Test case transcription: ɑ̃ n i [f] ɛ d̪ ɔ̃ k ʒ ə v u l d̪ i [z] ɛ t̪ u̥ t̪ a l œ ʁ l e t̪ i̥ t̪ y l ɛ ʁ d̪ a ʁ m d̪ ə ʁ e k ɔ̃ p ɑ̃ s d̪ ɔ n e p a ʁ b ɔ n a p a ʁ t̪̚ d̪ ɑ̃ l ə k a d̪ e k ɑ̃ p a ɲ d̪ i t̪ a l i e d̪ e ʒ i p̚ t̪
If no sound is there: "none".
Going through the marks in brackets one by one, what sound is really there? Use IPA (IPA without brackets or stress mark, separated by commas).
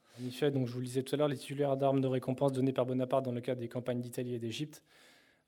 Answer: f, z